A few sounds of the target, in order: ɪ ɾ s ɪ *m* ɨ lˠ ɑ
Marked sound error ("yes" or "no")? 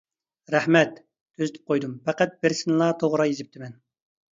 yes